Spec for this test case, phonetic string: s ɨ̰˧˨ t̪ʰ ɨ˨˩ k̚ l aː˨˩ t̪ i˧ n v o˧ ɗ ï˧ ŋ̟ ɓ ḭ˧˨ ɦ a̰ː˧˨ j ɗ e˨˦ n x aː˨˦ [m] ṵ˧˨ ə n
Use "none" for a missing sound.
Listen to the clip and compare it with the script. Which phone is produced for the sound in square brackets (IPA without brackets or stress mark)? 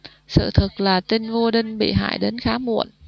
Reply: m